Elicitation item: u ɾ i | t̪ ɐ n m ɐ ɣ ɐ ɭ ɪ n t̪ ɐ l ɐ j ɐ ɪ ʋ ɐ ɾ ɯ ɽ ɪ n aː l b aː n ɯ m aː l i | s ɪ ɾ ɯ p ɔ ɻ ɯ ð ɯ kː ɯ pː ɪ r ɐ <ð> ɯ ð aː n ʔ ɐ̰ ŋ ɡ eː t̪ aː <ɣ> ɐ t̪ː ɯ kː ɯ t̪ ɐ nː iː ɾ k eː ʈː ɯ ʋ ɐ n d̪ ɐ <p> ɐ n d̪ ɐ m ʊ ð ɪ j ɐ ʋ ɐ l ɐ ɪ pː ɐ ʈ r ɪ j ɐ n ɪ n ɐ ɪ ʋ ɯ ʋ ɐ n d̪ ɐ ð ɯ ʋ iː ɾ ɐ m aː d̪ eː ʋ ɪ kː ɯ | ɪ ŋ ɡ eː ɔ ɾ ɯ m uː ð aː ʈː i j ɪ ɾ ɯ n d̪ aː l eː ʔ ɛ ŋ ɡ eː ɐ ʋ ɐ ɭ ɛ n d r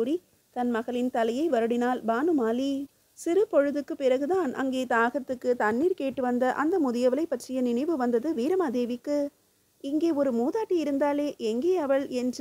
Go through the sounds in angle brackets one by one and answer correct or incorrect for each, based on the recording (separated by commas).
incorrect, correct, incorrect